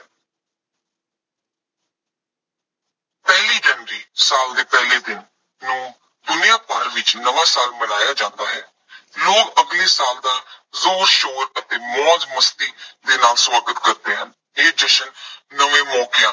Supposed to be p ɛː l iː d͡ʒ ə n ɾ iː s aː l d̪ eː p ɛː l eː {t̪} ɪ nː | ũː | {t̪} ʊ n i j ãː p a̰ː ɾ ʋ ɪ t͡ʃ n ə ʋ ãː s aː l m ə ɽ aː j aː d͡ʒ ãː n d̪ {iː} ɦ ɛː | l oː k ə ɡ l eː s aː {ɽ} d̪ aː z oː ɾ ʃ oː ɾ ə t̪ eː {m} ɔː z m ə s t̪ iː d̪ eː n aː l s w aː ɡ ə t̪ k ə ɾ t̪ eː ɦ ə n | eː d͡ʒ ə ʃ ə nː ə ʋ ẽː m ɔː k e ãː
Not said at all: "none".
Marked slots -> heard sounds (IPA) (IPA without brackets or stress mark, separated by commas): d̪, d̪, aː, l, m